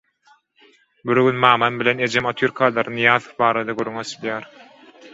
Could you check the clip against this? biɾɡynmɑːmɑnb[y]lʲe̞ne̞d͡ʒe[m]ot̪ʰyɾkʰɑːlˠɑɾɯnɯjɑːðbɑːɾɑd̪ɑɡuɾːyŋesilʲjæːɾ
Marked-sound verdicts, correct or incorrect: incorrect, correct

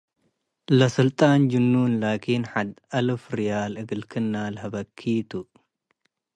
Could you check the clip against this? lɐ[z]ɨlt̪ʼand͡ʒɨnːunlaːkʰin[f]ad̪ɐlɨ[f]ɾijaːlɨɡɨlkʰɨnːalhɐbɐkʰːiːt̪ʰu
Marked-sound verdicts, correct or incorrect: incorrect, incorrect, correct

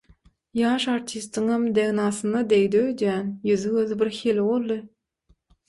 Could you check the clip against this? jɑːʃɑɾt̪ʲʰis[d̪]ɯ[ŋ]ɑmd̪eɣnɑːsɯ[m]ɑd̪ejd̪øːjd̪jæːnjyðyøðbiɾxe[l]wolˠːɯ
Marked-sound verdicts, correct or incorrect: incorrect, correct, incorrect, correct

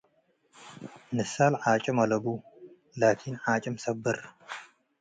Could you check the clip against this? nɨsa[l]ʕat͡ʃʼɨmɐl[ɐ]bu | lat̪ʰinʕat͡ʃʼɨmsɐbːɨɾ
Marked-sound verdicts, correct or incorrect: correct, correct

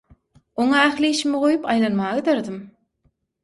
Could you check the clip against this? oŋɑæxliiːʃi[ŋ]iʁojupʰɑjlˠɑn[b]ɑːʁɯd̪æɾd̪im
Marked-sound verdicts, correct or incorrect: incorrect, incorrect

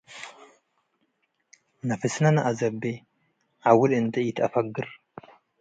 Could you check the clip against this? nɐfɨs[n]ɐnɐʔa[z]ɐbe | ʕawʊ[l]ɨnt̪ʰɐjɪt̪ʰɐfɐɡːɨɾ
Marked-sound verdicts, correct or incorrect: correct, correct, correct

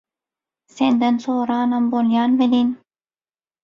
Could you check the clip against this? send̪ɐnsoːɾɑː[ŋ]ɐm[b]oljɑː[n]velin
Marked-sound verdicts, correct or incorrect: incorrect, correct, correct

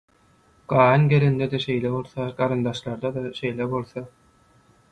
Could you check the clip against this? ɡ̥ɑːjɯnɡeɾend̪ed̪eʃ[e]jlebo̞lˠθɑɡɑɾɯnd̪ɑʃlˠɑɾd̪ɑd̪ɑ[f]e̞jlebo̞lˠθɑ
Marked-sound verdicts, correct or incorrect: correct, incorrect

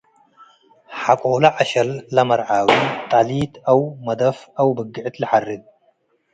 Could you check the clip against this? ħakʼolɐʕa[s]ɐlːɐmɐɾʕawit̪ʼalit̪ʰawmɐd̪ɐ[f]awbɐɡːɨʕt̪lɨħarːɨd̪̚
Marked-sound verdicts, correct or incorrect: incorrect, correct

